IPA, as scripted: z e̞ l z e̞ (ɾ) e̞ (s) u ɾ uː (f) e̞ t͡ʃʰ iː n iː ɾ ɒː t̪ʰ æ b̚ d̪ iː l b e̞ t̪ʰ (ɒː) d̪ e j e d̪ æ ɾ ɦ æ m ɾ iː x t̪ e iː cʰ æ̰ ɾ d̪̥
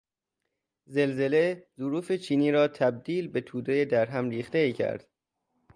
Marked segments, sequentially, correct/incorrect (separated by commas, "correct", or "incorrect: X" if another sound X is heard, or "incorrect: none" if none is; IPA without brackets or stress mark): incorrect: l, incorrect: z, correct, incorrect: uː